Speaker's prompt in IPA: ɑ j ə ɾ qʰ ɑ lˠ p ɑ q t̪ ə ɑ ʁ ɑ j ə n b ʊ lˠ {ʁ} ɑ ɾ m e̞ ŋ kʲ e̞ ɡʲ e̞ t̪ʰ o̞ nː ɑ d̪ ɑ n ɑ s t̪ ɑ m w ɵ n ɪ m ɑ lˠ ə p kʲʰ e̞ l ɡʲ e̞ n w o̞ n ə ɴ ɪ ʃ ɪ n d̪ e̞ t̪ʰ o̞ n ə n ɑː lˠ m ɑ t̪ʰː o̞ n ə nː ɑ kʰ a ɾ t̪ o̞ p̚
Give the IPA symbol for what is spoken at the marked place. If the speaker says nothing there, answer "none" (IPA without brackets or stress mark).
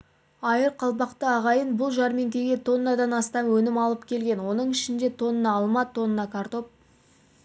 ʒ